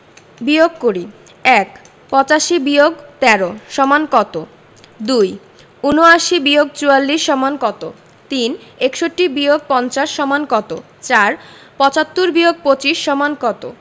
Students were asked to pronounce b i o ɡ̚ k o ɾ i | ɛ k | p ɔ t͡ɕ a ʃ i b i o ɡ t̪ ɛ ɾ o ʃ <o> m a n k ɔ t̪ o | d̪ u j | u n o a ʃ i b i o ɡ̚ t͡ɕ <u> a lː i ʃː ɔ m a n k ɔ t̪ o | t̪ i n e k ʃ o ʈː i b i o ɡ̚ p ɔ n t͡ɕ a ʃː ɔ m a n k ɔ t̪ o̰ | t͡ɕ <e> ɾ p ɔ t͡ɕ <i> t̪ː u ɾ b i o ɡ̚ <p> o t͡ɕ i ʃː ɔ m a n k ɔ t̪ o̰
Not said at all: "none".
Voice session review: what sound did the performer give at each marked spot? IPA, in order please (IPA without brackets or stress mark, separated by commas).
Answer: ɔ, u, a, a, p